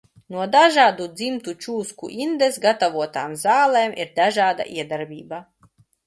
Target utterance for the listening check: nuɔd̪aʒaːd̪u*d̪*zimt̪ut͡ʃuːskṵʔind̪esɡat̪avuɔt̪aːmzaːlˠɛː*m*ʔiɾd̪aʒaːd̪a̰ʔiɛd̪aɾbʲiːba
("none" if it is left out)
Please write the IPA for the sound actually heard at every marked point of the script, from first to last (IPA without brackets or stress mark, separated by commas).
d̪, m